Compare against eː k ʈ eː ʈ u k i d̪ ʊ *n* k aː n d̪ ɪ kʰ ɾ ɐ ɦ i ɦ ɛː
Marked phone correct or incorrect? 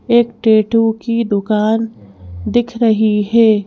incorrect